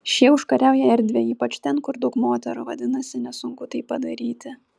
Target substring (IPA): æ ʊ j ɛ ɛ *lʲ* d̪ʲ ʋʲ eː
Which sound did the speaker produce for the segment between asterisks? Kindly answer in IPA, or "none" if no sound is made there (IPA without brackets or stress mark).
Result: ɾʲ